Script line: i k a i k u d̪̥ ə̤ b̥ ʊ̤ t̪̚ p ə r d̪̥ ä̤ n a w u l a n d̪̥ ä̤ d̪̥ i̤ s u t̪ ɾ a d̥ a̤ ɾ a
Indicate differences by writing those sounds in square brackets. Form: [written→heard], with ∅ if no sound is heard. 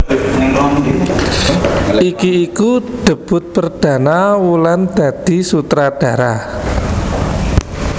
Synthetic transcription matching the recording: i k [a→i] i k u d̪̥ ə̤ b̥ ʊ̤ t̪̚ p ə r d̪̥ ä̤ n a w u l a n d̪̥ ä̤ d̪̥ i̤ s u t̪ ɾ a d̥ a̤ ɾ a